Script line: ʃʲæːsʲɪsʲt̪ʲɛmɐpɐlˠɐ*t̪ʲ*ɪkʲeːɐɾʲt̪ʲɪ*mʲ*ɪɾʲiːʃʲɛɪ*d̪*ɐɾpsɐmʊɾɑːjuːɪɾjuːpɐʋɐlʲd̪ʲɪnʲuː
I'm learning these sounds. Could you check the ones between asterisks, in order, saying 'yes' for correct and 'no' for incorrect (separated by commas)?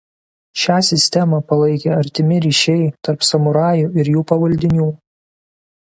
no, yes, no